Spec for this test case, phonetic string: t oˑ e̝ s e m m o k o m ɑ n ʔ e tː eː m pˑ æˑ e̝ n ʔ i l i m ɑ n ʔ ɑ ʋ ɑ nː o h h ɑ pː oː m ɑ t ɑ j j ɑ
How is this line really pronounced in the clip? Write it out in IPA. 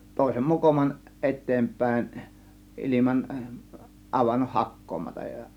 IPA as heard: t oˑ e̝ s e m m o k o m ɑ n ʔ e tː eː m pˑ æˑ e̝ n ʔ i l i m ɑ n ʔ ɑ ʋ ɑ nː o h h ɑ kː oː m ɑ t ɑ j j ɑ